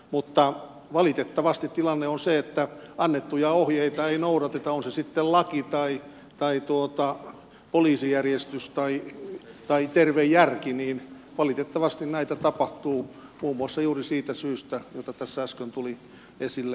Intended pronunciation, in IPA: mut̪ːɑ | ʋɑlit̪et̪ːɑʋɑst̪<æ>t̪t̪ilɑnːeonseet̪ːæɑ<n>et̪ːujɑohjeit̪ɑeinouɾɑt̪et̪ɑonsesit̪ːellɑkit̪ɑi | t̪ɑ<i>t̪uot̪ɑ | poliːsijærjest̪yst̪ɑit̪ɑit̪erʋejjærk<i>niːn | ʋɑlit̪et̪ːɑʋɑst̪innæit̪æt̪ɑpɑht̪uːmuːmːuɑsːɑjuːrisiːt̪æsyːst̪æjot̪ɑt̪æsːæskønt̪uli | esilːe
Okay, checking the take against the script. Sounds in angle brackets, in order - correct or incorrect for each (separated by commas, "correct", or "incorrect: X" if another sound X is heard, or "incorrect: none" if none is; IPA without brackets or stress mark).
incorrect: i, incorrect: nː, correct, correct